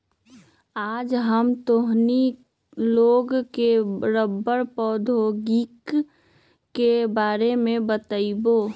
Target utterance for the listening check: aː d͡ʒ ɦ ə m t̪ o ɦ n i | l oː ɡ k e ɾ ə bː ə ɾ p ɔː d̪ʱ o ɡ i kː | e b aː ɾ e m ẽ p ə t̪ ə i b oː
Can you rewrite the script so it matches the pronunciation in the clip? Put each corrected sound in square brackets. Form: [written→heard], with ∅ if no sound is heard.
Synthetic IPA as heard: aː d͡ʒ ɦ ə m t̪ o ɦ n i | l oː ɡ k e ɾ ə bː ə ɾ p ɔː d̪ʱ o ɡ i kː | e b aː ɾ e m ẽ [p→b] ə t̪ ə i b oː